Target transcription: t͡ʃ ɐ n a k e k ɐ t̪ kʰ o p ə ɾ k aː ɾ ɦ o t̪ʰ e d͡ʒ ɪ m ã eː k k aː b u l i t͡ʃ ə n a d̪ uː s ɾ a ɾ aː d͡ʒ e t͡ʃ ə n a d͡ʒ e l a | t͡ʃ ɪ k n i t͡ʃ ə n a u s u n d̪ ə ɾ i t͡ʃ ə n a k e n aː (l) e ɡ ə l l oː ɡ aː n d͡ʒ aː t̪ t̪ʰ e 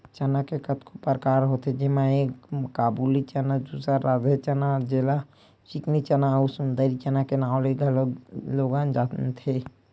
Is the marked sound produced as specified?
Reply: yes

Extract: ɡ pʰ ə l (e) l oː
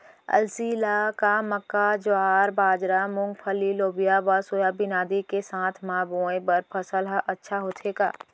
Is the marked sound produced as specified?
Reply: no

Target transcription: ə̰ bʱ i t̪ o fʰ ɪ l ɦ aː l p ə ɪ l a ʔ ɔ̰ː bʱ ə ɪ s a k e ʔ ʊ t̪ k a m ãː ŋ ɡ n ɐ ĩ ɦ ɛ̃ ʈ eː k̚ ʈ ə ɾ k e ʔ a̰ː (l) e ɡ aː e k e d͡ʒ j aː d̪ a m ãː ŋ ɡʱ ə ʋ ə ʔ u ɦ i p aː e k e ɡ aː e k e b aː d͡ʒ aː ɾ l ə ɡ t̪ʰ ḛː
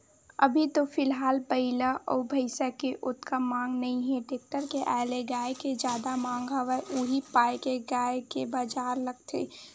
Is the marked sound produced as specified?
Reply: yes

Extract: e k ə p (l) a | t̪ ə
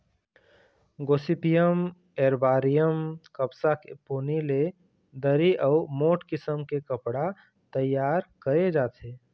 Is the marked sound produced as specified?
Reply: no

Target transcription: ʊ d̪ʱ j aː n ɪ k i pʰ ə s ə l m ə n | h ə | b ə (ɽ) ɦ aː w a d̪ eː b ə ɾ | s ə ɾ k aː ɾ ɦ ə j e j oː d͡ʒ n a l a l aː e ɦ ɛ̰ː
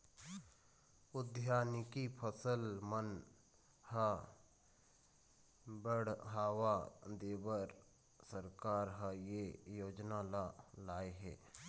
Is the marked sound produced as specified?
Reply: yes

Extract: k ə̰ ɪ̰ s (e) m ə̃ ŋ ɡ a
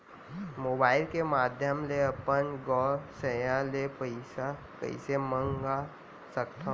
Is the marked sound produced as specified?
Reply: yes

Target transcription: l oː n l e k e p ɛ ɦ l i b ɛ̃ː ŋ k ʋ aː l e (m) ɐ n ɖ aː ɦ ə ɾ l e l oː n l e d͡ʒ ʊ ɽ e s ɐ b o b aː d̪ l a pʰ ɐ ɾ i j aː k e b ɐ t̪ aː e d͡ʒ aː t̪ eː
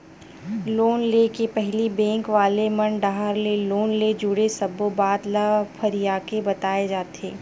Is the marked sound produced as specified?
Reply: yes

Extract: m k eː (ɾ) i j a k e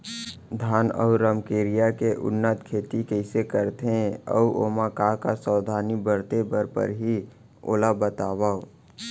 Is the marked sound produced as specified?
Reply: yes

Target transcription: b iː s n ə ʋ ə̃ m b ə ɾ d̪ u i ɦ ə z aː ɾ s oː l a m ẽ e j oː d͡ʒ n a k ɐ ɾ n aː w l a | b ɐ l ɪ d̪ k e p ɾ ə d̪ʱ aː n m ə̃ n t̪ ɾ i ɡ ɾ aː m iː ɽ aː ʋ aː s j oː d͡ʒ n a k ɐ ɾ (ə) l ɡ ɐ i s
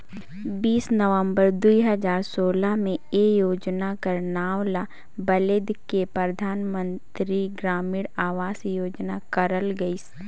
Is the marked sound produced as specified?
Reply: yes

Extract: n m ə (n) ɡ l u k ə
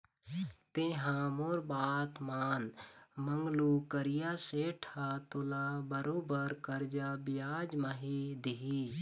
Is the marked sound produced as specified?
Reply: no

